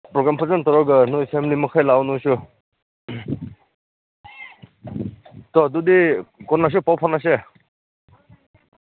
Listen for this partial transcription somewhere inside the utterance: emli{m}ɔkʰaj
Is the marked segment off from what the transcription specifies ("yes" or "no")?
no